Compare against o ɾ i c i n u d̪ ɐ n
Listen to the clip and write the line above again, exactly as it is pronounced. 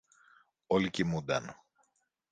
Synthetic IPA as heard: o l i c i m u d̪ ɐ n